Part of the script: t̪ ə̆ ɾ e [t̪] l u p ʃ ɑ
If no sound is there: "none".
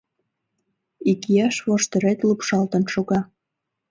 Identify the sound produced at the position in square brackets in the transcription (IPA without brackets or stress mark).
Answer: t̪